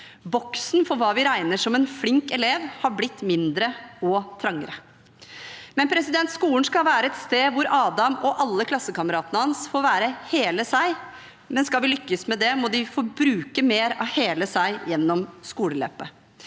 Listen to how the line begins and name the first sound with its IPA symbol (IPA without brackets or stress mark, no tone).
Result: b